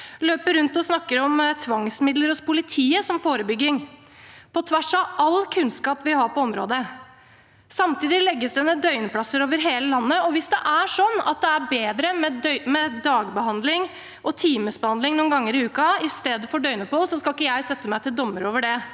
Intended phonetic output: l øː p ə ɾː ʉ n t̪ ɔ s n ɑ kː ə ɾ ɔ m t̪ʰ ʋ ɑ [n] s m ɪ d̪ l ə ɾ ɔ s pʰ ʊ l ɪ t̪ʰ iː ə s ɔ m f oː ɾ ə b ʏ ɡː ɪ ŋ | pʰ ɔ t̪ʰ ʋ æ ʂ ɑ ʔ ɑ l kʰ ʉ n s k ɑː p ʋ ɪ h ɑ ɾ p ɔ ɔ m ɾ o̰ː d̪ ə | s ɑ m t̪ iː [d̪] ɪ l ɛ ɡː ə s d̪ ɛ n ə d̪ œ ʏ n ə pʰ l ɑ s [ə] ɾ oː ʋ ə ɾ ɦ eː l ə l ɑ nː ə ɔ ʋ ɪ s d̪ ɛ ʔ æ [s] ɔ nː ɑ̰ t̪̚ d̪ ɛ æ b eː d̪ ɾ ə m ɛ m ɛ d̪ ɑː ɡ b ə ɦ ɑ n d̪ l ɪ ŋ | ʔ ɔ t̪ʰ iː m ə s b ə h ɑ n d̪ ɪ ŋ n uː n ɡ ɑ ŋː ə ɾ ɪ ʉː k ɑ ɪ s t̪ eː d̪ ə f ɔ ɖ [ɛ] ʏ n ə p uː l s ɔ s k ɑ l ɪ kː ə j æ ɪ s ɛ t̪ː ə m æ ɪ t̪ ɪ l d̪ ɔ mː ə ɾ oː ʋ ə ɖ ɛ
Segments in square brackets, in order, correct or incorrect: incorrect: ŋ, correct, correct, incorrect: ʂ, incorrect: œ

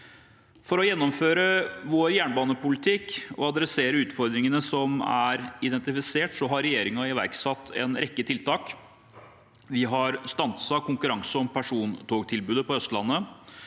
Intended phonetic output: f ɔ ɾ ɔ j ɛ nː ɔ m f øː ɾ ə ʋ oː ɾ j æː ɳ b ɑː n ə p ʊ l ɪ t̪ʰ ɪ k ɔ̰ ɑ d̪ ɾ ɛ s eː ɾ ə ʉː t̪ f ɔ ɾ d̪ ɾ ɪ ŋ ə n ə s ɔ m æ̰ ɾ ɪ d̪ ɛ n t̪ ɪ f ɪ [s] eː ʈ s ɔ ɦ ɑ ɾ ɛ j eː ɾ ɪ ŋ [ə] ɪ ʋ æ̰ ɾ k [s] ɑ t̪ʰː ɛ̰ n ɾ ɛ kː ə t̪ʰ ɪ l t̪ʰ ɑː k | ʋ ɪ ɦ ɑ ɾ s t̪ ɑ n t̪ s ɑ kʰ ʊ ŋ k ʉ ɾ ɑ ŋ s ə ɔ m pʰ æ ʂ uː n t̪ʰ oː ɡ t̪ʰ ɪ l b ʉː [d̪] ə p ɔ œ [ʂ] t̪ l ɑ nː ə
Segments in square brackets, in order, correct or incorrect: correct, incorrect: ɑ, correct, correct, incorrect: s

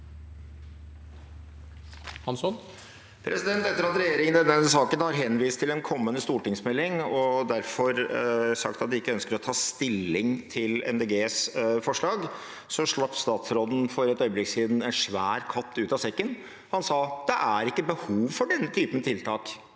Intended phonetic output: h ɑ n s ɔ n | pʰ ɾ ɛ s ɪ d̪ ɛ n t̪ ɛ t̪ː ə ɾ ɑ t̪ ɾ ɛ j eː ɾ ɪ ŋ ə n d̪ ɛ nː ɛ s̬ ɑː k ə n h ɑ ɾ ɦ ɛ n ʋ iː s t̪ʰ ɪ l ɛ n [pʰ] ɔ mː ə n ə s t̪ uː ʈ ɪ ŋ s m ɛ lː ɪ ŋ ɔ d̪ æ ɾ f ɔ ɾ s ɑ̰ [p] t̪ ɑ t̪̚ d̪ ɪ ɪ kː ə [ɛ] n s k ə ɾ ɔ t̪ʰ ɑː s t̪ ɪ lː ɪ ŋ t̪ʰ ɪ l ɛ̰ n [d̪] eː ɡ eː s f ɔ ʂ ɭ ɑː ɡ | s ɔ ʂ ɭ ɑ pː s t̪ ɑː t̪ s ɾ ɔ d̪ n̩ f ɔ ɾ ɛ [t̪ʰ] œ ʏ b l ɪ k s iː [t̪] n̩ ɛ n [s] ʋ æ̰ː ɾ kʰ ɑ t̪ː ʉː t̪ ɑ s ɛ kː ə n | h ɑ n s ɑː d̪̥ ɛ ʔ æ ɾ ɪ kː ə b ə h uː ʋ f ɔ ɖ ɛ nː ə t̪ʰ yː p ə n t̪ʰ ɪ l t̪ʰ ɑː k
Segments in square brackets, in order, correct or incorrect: incorrect: kʰ, incorrect: k, incorrect: œ, correct, incorrect: t̪, incorrect: d̪, incorrect: ʂ

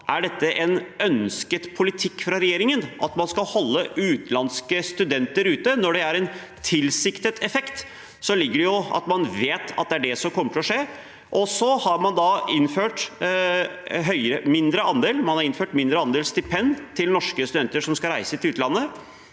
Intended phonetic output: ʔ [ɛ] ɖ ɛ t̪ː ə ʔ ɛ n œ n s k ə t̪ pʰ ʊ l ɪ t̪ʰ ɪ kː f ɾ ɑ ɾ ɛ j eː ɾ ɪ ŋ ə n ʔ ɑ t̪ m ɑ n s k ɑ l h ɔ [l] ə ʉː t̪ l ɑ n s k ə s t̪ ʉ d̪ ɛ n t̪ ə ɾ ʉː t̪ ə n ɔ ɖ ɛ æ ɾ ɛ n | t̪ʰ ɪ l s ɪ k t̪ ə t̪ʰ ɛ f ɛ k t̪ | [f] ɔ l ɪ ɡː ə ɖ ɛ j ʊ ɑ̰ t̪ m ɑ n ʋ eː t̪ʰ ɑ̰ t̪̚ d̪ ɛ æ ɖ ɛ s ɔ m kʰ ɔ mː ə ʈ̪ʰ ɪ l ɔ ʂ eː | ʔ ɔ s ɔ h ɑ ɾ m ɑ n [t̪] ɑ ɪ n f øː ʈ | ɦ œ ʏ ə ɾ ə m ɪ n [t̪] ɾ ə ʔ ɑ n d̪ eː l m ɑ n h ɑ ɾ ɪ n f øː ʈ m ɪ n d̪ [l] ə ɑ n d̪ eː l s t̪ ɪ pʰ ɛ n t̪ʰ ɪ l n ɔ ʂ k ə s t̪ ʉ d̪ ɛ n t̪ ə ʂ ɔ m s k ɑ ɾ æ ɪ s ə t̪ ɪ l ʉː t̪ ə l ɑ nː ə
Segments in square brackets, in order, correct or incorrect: incorrect: æ, incorrect: lː, incorrect: s, incorrect: d̪, incorrect: d̪, incorrect: ɾ

